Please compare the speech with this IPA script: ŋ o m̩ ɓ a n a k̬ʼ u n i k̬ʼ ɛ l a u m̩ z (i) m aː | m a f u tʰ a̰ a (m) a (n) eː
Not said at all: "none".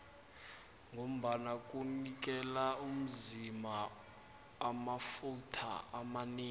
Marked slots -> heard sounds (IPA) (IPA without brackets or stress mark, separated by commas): i, m, n